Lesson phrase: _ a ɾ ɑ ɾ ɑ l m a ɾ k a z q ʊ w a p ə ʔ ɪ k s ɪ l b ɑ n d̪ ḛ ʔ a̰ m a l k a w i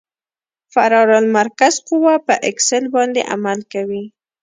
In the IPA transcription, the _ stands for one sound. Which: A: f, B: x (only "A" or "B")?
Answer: A